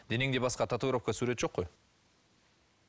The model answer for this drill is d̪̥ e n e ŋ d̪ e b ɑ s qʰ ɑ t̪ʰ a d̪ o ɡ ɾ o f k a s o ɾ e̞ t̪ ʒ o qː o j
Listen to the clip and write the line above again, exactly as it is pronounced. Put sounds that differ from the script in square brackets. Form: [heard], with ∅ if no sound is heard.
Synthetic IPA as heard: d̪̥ e n e ŋ d̪ e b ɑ s [q] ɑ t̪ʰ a [t̪] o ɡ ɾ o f k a s [u] ɾ e̞ t̪ ʒ o qː o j